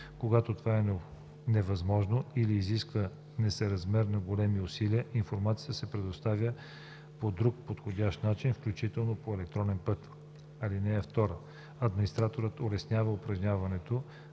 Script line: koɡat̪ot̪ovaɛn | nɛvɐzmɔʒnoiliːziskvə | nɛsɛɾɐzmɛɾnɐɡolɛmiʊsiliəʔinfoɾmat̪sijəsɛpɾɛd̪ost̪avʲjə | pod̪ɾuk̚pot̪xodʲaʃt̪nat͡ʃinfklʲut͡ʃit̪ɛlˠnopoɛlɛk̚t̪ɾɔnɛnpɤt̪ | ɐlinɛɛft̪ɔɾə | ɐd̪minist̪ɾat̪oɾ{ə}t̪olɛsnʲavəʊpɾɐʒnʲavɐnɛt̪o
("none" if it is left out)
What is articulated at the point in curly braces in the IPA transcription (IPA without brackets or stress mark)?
ə